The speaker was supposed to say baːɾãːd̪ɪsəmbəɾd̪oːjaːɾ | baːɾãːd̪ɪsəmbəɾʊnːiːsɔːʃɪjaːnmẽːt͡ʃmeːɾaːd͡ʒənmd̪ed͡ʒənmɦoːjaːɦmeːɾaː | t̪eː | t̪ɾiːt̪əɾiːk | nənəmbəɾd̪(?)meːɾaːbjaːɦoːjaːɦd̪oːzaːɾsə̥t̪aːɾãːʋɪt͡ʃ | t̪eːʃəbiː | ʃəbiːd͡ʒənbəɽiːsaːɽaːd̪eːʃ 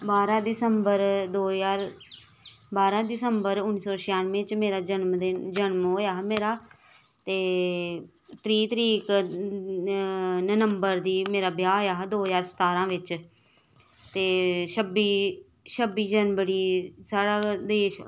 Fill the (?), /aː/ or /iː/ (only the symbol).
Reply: iː